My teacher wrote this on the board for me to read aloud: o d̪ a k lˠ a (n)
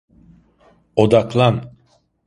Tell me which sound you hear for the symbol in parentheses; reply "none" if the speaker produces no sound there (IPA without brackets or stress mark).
n